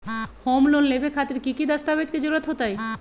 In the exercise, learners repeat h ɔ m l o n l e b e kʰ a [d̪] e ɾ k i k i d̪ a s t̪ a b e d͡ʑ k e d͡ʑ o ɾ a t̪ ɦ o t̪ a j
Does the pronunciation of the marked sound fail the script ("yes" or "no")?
yes